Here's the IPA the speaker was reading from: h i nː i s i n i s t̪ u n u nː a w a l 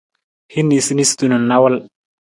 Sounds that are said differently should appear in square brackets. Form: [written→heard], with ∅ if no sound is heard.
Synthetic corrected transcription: h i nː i s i n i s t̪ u n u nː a w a l

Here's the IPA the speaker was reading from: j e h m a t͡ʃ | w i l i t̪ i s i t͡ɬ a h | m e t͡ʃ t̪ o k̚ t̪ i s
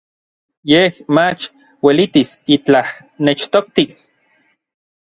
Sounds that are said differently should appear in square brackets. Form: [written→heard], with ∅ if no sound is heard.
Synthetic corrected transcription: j e h m a t͡ʃ | w [i→e] l i t̪ i s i t͡ɬ a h | [m→n] e t͡ʃ t̪ o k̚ t̪ i s

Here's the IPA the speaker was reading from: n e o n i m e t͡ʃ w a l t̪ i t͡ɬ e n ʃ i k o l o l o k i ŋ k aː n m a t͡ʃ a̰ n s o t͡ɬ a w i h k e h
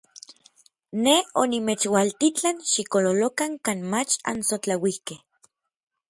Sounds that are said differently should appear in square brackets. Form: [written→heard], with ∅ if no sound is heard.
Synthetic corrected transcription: n e o n i m e t͡ʃ w a l t̪ i t͡ɬ [e→a] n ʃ i k o l o l o k [i→a] ŋ k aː n m a t͡ʃ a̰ n s o t͡ɬ a w i h k e h

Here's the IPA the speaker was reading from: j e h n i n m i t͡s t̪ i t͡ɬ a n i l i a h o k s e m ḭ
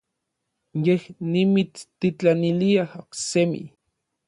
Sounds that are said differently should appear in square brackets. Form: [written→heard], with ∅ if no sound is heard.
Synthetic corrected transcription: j e h n i [n→∅] m i t͡s t̪ i t͡ɬ a n i l i a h o k s e m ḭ

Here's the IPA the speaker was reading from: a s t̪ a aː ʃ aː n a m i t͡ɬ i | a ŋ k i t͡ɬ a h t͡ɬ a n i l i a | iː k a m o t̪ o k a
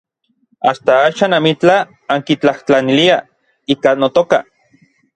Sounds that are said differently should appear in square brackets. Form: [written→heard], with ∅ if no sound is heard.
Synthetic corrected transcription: a s t̪ a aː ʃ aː n a m i t͡ɬ [i→a] | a ŋ k i t͡ɬ a h t͡ɬ a n i l i a | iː k a [m→n] o t̪ o k a

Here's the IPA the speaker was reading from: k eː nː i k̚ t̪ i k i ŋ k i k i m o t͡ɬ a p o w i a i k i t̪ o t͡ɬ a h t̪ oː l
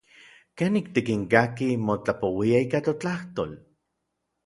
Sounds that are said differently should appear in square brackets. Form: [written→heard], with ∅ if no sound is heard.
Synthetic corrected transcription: k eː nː i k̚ t̪ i k i ŋ k [i→a] k i m o t͡ɬ a p o w i a i k [i→a] t̪ o t͡ɬ a h t̪ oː l

